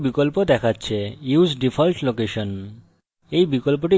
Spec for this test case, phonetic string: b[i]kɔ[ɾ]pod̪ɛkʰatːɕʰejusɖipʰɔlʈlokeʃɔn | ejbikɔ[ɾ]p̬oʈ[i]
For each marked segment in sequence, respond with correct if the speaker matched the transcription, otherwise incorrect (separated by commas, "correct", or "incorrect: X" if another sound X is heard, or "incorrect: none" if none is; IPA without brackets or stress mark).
correct, incorrect: l, incorrect: l, correct